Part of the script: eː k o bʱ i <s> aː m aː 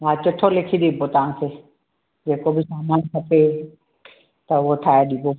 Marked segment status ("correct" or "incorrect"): correct